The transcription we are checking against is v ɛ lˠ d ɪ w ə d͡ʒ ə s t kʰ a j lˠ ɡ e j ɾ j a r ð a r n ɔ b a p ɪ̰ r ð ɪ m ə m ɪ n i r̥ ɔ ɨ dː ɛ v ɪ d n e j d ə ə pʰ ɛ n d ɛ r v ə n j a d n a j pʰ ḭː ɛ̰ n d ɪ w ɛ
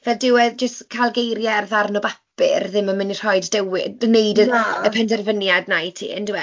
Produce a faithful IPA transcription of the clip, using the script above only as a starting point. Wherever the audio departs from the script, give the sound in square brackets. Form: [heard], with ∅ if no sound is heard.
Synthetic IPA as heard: v ɛ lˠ d ɪ w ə d͡ʒ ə s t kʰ a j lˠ ɡ e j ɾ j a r ð a r n ɔ b a p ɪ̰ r ð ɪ m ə m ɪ n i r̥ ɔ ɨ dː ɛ [w] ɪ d n e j d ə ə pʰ ɛ n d ɛ r v ə n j a d n a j [tʰ] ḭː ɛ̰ n d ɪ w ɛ